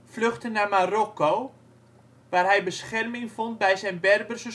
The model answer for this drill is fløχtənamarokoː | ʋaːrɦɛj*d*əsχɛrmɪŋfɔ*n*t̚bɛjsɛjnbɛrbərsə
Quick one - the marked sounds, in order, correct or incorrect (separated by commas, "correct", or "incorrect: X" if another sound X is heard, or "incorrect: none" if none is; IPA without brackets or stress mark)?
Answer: incorrect: b, correct